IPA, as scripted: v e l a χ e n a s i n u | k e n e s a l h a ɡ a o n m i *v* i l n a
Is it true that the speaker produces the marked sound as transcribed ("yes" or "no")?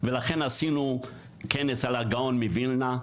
yes